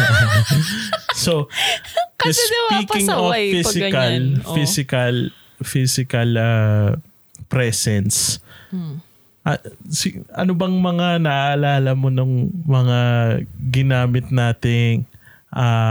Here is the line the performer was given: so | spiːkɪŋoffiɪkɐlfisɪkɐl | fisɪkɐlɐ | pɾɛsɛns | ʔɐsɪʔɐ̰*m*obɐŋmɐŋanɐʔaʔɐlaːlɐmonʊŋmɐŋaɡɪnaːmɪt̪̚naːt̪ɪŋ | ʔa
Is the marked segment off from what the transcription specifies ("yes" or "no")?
yes